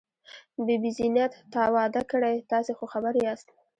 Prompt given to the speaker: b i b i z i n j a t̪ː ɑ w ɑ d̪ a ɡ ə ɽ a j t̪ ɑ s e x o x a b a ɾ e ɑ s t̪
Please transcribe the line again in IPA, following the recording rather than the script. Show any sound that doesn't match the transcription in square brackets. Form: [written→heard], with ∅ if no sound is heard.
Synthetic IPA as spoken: b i b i z i n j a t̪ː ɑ w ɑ d̪ a [ɡ→k] ə ɽ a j t̪ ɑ s e x o x a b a ɾ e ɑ s t̪